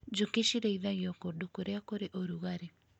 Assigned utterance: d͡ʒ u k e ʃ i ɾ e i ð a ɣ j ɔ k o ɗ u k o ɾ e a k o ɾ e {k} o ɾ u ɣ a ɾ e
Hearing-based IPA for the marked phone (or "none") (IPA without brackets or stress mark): ʔ